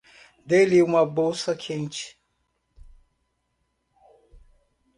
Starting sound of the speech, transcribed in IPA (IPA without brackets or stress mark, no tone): d̪